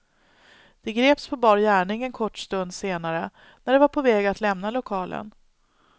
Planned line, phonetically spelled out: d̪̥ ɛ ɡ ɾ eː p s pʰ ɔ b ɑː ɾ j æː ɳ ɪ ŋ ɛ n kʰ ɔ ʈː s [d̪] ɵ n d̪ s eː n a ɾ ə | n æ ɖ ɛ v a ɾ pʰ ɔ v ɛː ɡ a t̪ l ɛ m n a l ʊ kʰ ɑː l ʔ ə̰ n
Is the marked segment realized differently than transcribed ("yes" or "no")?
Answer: yes